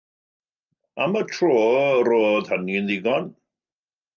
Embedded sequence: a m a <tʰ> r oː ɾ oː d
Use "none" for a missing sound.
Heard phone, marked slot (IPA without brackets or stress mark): tʰ